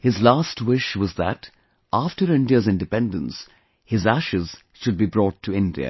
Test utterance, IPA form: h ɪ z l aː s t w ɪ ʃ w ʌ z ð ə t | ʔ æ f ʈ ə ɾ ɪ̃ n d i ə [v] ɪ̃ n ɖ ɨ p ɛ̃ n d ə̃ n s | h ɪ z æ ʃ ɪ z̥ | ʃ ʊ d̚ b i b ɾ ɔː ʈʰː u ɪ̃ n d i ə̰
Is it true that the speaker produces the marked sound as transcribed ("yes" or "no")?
no